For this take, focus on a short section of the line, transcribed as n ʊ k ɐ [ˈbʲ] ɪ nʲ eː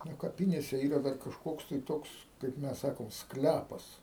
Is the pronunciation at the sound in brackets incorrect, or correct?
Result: incorrect